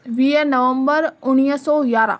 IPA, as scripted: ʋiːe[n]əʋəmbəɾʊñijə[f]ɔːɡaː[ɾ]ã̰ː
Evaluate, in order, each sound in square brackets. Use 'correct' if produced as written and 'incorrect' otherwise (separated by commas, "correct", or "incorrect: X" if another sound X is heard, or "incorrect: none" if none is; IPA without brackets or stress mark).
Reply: correct, incorrect: s, correct